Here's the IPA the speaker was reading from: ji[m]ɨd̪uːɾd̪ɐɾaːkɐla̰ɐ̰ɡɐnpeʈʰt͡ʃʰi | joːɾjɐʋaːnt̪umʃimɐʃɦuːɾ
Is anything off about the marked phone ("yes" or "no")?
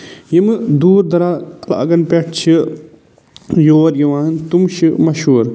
no